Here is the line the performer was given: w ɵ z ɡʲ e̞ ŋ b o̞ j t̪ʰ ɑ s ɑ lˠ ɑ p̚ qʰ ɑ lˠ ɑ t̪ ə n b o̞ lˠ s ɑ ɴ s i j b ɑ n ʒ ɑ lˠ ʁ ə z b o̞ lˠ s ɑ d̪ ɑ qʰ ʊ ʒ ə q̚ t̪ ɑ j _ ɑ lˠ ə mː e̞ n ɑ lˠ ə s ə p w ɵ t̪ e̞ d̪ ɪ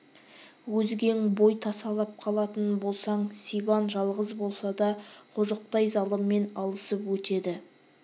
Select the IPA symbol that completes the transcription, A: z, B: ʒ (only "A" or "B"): A